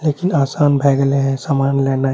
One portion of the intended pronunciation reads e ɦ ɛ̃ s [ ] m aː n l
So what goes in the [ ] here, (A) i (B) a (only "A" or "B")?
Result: B